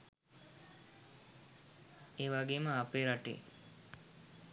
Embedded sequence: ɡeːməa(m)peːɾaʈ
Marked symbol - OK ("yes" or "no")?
no